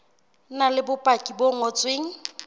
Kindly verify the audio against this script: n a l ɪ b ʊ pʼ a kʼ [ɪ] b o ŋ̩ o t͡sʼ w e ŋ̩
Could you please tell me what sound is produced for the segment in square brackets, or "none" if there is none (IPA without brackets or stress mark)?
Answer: i